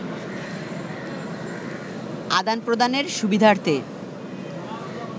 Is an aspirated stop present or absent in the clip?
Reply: absent